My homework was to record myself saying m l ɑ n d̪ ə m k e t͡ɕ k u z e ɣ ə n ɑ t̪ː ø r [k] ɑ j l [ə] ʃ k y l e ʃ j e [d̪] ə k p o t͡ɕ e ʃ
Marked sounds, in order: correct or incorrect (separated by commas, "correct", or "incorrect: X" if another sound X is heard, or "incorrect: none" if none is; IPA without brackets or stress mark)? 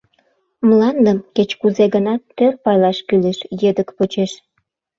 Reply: incorrect: p, incorrect: ɑ, correct